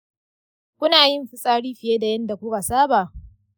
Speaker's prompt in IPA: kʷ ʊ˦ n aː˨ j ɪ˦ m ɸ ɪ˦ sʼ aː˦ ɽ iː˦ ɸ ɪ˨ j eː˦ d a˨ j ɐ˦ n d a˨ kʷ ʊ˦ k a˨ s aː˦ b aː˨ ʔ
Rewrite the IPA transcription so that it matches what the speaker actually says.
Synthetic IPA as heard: kʷ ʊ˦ n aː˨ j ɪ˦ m ɸ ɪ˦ sʼ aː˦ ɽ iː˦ ɸ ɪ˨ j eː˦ d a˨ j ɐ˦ n d a˨ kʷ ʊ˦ k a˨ s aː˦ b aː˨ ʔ